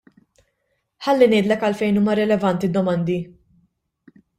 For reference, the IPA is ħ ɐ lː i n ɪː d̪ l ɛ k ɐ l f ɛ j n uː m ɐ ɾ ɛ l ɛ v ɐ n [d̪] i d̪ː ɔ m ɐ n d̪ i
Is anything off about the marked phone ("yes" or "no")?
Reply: yes